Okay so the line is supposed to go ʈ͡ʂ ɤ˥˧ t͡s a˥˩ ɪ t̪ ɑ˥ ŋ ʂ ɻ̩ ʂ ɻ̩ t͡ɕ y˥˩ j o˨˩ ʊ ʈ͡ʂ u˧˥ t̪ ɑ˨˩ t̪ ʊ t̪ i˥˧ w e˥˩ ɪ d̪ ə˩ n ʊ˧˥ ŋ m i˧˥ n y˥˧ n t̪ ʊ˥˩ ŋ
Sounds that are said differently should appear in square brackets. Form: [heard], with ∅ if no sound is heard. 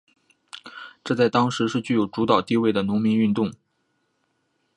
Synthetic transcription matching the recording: ʈ͡ʂ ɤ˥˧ t͡s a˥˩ ɪ t̪ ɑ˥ ŋ ʂ ɻ̩ ʂ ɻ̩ t͡ɕ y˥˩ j o˨˩ ʊ ʈ͡ʂ u˧˥ t̪ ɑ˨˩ [∅] ʊ t̪ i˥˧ w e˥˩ ɪ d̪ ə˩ n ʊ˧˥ ŋ m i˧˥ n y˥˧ n t̪ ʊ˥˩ ŋ